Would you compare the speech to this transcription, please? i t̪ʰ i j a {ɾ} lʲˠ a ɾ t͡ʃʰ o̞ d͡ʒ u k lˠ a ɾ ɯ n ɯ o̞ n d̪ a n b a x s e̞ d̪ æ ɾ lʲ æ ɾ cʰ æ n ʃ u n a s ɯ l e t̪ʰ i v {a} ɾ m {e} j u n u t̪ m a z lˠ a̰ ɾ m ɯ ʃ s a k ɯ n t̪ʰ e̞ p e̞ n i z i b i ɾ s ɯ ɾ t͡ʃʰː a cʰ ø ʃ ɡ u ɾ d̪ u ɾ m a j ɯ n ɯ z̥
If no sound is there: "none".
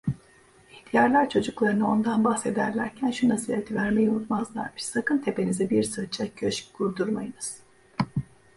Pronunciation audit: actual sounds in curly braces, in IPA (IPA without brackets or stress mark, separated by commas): ɾ, æ, e